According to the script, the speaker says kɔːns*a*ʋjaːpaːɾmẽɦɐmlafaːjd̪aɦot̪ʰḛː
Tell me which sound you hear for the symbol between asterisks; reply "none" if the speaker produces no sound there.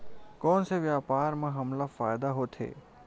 e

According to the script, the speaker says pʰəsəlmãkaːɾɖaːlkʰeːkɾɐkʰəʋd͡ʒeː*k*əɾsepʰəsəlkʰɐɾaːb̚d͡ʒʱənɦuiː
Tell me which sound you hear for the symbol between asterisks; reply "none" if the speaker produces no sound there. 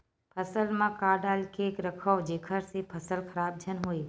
kʰ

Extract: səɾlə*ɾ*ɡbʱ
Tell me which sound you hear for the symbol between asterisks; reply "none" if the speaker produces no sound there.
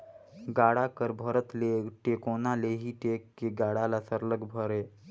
none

